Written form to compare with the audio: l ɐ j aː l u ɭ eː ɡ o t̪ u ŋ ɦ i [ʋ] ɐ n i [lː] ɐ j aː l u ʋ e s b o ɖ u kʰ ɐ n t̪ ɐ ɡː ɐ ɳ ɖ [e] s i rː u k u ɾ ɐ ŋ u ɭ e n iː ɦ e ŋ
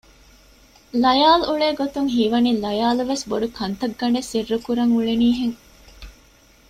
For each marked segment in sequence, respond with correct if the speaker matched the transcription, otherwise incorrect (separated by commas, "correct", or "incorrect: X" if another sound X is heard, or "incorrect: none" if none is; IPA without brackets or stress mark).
correct, incorrect: l, correct